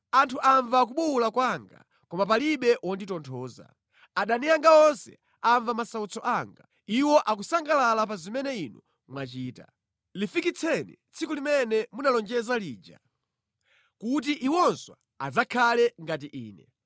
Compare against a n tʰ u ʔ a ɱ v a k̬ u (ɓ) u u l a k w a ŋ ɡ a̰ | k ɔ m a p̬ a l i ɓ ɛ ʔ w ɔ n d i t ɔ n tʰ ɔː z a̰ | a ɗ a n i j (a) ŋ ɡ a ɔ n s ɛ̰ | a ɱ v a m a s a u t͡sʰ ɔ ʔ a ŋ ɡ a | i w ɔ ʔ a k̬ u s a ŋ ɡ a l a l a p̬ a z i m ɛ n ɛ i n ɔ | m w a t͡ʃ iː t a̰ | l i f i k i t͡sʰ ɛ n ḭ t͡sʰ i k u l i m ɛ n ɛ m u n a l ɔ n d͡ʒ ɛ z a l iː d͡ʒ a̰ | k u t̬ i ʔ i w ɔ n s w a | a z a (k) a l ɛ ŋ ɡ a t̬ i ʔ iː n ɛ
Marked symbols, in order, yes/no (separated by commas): yes, yes, no